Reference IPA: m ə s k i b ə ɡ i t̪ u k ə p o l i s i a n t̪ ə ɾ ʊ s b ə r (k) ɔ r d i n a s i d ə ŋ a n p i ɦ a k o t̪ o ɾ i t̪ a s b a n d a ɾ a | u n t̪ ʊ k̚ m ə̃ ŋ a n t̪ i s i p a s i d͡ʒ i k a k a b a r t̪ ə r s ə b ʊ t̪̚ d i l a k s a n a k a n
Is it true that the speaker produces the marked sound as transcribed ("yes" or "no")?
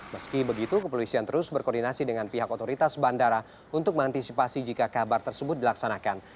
yes